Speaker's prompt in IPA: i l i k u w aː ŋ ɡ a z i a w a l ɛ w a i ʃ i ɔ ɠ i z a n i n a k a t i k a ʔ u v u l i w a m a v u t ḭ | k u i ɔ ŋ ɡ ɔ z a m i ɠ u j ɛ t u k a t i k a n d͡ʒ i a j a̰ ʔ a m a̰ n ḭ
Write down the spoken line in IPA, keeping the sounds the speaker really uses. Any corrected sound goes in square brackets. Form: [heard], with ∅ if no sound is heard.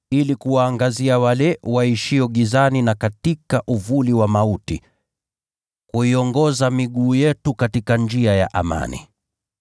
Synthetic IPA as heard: i l i k u w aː ŋ ɡ a z i a w a l ɛ w a i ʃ i ɔ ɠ i z a n i n a k a t i k a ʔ u v u l i w a m a [∅] u t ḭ | k u i ɔ ŋ ɡ ɔ z a m i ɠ [uː] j ɛ t u k a t i k a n d͡ʒ i a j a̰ ʔ a m a̰ n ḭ